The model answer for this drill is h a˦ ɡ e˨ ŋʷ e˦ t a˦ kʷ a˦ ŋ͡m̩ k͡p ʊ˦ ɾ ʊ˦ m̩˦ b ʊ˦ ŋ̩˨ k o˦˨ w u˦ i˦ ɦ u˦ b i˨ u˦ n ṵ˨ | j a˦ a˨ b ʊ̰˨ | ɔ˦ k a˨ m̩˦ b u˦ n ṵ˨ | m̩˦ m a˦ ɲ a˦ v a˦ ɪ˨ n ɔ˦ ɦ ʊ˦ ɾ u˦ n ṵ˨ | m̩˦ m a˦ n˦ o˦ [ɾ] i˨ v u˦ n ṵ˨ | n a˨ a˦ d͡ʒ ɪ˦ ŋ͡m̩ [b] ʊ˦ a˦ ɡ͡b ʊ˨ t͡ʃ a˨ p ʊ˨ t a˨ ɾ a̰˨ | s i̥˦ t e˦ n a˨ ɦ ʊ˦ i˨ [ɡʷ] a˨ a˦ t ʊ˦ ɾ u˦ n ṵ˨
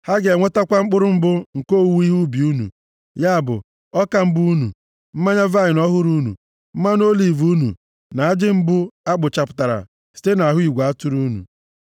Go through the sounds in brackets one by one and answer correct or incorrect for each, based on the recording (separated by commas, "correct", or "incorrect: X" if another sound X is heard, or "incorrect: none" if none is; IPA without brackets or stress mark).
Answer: incorrect: l, correct, correct